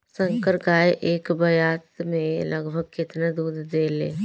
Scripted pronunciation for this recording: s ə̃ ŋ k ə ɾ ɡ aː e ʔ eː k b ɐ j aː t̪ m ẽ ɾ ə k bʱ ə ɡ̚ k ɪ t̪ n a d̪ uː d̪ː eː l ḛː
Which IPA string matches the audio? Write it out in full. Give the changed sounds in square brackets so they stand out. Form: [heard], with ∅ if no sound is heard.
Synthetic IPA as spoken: s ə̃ ŋ k ə ɾ ɡ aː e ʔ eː k b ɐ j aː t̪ m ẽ [l] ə [ɡ] bʱ ə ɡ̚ k ɪ t̪ n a d̪ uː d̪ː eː l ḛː